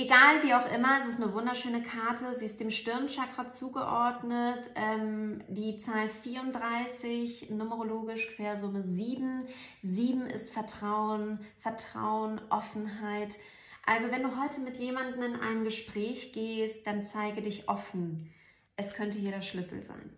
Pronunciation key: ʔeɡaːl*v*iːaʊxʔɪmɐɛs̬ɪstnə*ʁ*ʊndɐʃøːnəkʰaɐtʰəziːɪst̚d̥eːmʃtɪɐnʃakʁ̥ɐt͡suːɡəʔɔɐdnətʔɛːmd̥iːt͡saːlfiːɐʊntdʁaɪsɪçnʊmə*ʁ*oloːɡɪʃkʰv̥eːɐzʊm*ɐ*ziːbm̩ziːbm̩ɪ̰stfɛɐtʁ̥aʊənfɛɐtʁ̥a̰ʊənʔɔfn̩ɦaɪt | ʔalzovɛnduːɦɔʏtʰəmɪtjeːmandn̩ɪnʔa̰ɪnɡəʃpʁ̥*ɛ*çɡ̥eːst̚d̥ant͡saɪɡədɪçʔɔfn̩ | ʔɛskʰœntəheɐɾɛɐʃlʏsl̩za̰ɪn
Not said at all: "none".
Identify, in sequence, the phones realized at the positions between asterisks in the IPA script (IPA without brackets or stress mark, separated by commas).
v, v, ʁ, ə, ɛː